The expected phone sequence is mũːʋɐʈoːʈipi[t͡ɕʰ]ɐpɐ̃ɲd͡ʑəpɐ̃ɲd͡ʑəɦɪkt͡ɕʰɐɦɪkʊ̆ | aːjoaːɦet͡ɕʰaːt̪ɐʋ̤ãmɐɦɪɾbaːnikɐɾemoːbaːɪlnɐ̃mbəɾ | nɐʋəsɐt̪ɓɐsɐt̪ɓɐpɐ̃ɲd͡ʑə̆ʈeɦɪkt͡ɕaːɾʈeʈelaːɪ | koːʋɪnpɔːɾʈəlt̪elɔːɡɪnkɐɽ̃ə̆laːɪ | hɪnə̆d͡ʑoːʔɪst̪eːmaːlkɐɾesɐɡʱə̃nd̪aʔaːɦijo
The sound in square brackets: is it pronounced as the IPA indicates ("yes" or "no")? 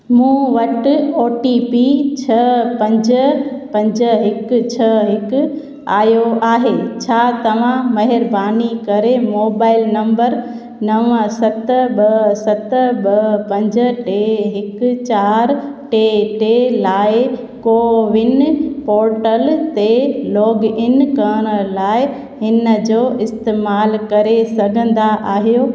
yes